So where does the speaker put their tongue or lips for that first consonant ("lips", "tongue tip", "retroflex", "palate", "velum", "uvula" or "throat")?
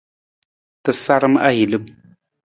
tongue tip